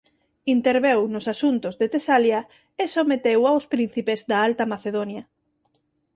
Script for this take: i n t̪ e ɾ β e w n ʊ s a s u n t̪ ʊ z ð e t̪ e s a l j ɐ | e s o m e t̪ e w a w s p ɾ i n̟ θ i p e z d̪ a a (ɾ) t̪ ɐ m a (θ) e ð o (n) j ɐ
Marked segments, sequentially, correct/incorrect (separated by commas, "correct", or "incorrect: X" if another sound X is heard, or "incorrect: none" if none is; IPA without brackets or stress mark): incorrect: l, correct, correct